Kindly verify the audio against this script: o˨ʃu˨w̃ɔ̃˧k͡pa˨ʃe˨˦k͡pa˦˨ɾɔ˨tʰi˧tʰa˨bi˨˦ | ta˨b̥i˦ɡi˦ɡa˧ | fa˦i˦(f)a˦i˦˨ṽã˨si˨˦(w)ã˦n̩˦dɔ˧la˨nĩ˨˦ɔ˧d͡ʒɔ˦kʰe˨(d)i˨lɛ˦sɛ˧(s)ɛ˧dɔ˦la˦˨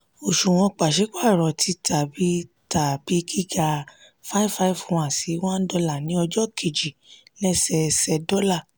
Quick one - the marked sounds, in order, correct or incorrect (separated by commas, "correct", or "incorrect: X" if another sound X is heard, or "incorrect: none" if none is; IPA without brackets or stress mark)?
correct, correct, incorrect: d͡ʒ, correct